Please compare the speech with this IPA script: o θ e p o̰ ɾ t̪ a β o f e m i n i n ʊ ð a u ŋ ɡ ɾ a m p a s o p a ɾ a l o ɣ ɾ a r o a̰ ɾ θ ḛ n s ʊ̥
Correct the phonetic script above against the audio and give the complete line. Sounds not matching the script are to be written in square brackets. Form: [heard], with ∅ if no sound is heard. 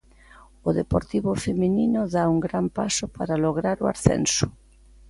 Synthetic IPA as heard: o [ð] e p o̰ ɾ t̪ [i] β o f e m i n i n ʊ ð a u ŋ ɡ ɾ a m p a s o p a ɾ a l o ɣ ɾ a [ɾ] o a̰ ɾ θ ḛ n s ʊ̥